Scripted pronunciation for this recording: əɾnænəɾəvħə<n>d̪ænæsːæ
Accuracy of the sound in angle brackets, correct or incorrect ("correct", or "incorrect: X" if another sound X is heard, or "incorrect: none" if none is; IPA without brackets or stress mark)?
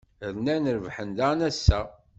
correct